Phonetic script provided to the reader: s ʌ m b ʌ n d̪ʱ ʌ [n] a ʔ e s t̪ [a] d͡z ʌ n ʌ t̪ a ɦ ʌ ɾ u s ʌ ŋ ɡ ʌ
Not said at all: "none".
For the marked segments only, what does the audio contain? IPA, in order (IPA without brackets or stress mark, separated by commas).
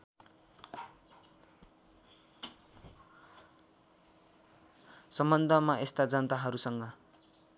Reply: m, a